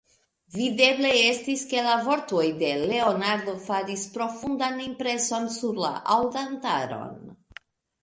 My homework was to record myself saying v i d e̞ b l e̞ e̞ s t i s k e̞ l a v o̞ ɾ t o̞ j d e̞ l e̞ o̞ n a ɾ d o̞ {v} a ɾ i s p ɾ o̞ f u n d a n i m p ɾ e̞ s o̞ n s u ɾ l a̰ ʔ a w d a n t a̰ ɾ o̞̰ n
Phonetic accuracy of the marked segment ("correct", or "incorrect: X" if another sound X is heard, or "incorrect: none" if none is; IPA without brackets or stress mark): incorrect: f